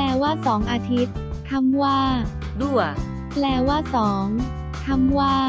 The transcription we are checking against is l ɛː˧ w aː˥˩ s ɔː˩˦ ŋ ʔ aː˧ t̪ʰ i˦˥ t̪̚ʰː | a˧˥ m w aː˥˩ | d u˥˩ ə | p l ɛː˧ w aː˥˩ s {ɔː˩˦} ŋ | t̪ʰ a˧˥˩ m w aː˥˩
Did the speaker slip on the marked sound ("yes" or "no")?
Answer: no